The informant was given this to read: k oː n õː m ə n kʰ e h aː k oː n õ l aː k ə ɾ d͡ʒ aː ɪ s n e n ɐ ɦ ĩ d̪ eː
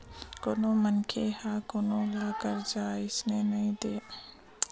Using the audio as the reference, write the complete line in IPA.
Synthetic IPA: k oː n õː m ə n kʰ e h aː k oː n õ l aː k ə ɾ d͡ʒ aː ɪ s n e n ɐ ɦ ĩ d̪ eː